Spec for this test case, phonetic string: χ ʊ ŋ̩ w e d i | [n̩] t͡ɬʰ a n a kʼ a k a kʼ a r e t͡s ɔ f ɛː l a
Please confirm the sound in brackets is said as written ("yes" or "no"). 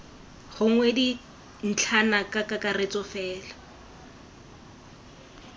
yes